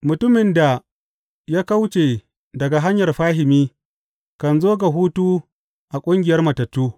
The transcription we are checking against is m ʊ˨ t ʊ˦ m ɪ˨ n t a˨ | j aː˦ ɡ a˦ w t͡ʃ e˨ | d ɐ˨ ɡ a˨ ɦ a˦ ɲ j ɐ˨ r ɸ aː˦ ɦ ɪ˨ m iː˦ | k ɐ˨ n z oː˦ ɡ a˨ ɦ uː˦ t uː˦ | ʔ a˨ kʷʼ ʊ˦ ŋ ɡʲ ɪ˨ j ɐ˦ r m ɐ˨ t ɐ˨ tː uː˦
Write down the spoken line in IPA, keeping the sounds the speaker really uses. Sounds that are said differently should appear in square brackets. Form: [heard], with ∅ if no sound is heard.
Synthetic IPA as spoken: m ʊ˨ t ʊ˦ m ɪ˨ n [d] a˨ | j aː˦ [k] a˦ w t͡ʃ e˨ | d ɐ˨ ɡ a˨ ɦ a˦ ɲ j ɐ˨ r ɸ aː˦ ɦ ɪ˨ m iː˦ | k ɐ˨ n z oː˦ ɡ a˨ ɦ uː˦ t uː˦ | ʔ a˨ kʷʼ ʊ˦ ŋ ɡʲ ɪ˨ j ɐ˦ r m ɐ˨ t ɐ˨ tː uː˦